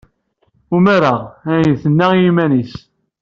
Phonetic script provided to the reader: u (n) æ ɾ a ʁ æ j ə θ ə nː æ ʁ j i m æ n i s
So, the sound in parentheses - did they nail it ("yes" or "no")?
no